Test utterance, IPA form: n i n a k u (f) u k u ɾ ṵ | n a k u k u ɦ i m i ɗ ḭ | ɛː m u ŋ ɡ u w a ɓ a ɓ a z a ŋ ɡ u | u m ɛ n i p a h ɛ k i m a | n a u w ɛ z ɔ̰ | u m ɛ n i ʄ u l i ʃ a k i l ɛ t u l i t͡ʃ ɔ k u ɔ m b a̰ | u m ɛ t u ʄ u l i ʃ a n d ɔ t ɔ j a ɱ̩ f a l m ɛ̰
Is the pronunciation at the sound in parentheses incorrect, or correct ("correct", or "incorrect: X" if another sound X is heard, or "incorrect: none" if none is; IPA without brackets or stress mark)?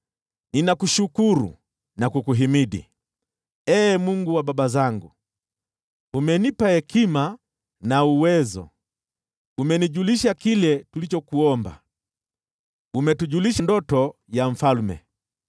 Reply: incorrect: ʃ